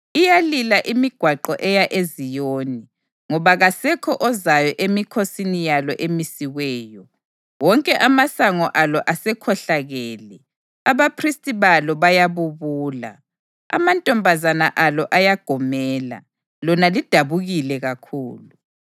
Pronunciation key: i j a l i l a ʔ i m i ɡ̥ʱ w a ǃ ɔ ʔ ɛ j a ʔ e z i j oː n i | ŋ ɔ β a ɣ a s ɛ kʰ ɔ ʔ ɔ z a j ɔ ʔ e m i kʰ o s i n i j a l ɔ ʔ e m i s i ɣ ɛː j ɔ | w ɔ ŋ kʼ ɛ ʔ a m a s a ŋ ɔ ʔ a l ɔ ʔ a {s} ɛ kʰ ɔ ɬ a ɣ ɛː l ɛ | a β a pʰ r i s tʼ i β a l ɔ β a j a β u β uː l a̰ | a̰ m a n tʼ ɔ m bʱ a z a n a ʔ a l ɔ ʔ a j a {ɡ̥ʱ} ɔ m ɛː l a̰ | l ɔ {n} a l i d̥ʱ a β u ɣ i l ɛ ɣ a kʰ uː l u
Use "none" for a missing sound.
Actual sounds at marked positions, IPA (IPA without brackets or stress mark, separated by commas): s, ɡ̥ʱ, n